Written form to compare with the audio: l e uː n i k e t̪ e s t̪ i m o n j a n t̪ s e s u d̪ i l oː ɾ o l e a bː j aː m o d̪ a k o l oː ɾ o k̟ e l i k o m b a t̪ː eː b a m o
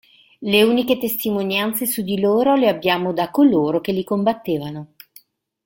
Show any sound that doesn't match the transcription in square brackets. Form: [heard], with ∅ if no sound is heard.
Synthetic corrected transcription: l e uː n i k e t̪ e s t̪ i m o n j a n t̪ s e s u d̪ i l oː ɾ o l e a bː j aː m o d̪ a k o l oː ɾ o k̟ e l i k o m b a t̪ː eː [v] a [n] o

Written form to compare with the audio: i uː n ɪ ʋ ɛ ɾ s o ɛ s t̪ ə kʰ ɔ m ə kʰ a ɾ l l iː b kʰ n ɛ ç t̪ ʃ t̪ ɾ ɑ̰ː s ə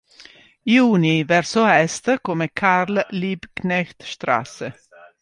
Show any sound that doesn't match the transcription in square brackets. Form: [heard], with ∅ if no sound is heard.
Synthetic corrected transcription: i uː n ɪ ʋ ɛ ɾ s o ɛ s t̪ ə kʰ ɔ m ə kʰ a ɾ l l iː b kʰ n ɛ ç t̪ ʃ t̪ ɾ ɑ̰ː s ə

